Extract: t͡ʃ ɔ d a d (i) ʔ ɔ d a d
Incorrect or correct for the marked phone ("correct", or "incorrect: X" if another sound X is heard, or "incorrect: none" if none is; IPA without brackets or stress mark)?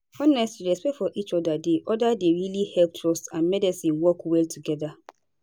incorrect: e